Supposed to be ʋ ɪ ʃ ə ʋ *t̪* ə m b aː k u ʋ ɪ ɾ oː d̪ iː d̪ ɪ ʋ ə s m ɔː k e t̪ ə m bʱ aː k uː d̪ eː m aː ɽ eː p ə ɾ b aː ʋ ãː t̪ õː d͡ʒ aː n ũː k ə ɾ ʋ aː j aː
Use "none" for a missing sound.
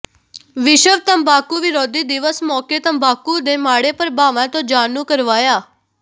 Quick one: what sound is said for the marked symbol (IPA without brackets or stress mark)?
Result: t̪